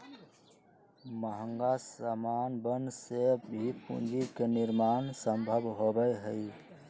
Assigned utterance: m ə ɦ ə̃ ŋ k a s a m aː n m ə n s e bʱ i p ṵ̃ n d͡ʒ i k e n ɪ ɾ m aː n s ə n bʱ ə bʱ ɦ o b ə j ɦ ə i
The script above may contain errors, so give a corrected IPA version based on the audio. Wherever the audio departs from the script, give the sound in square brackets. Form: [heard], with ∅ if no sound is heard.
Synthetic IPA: m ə ɦ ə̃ ŋ [ɡ] a s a m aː n [b] ə n s e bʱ i p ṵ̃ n d͡ʒ i k e n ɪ ɾ m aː n s ə [m] bʱ ə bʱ ɦ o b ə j ɦ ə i